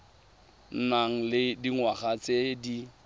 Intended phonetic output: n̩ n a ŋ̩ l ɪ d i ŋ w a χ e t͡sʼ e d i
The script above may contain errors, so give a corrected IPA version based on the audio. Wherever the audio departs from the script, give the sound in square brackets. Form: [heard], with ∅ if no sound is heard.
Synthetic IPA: n̩ n a ŋ̩ l ɪ d i ŋ w a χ [a] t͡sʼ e d i